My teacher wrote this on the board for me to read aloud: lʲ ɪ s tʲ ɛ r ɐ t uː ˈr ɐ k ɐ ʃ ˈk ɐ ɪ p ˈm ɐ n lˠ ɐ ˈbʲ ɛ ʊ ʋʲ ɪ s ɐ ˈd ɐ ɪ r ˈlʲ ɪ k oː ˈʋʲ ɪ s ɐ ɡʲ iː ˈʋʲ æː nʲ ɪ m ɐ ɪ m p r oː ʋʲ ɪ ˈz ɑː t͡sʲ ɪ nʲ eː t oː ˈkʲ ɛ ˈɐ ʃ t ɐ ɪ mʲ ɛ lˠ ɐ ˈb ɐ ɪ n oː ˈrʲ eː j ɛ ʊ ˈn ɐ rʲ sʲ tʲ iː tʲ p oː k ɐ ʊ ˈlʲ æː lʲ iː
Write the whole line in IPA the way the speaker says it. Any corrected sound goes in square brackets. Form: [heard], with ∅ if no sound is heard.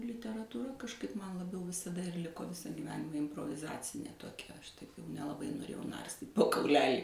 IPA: lʲ ɪ [∅] tʲ ɛ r ɐ t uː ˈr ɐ k ɐ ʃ ˈk ɐ ɪ p ˈm ɐ n lˠ ɐ ˈbʲ ɛ ʊ ʋʲ ɪ s ɐ ˈd ɐ ɪ r ˈlʲ ɪ k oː ˈʋʲ ɪ s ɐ ɡʲ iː ˈʋʲ æː nʲ ɪ m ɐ ɪ m p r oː ʋʲ ɪ ˈz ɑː t͡sʲ ɪ nʲ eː t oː ˈkʲ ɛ ˈɐ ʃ t ɐ ɪ [nʲ] ɛ lˠ ɐ ˈb ɐ ɪ n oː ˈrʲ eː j ɛ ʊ ˈn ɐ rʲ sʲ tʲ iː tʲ p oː k ɐ ʊ ˈlʲ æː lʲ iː